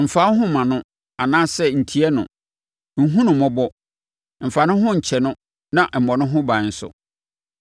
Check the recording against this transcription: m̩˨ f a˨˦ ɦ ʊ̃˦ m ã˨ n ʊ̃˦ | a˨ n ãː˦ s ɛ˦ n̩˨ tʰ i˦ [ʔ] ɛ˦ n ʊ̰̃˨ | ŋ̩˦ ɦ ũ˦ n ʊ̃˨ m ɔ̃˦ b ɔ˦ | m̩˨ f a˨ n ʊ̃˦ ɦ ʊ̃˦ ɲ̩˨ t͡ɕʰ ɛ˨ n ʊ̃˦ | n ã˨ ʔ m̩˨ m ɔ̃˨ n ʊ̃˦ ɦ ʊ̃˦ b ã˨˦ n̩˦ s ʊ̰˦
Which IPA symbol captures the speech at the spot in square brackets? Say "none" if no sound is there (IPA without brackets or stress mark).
none